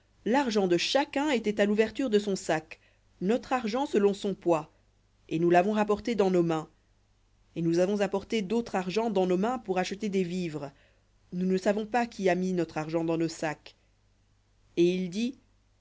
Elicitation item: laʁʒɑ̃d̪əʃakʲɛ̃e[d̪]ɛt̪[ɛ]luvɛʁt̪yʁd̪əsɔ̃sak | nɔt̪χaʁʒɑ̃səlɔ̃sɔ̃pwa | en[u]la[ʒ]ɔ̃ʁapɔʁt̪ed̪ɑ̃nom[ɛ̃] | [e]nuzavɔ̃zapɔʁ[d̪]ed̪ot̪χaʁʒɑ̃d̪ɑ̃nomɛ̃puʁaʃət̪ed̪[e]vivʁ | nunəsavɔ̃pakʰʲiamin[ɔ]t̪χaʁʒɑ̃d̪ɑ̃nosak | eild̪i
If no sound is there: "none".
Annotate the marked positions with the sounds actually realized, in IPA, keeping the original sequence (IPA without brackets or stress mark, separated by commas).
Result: t̪, a, u, v, ɛ̃, e, t̪, e, ɔ